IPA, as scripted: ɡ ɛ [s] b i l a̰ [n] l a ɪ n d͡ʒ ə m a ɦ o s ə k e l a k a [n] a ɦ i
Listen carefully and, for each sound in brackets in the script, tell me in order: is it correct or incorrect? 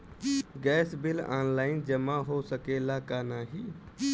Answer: correct, correct, correct

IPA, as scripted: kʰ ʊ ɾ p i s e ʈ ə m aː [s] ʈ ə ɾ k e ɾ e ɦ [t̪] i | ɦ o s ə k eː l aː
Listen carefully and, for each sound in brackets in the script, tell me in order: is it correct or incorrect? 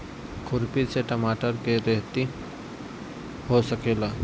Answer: incorrect, correct

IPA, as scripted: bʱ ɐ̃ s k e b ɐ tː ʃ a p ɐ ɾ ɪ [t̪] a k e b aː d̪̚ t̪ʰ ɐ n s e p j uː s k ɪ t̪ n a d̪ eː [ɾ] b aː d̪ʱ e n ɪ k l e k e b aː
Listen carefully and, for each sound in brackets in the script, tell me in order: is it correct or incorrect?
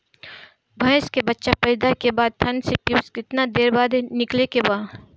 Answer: incorrect, correct

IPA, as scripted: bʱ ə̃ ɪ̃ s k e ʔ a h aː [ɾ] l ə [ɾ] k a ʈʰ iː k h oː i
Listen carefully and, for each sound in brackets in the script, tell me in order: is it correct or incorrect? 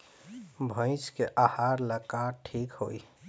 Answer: correct, incorrect

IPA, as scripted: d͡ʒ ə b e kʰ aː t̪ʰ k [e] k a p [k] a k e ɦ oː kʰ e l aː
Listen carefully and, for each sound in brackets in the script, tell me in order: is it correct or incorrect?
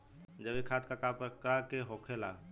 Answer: incorrect, correct

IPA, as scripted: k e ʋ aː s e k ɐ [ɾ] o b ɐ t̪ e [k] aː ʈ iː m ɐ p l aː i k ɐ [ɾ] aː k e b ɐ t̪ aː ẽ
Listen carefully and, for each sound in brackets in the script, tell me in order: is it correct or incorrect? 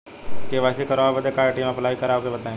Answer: correct, correct, correct

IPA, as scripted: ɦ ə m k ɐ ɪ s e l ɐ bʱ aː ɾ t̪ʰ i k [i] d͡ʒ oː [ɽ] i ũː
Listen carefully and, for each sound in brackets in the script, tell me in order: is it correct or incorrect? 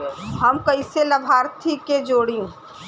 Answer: incorrect, correct

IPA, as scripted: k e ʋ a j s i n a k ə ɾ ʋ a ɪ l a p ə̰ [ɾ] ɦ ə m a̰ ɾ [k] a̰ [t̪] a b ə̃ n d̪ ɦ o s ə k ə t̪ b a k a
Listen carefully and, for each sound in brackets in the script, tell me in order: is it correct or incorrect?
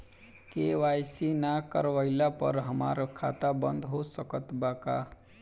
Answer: correct, incorrect, correct

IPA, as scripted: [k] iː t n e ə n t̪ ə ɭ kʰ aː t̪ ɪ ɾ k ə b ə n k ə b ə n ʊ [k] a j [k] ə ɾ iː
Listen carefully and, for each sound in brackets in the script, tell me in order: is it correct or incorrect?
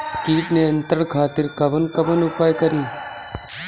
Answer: correct, incorrect, correct

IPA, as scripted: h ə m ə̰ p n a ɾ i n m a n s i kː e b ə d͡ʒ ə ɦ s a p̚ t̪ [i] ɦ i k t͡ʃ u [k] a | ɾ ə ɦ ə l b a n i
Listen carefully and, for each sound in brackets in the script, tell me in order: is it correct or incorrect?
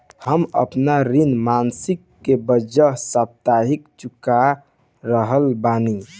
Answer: incorrect, correct

